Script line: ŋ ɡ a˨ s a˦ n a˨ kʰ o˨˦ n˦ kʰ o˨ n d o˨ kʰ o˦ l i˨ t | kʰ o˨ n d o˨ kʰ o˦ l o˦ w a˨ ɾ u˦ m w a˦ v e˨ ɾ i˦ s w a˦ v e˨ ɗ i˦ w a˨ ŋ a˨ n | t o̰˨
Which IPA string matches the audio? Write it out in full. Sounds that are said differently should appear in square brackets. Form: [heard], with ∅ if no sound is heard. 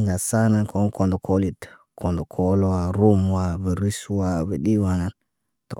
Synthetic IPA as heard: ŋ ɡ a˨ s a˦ n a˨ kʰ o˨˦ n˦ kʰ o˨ n d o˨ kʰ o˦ l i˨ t | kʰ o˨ n d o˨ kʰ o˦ l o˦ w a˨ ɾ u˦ m w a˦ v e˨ ɾ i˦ s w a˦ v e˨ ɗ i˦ w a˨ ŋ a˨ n | t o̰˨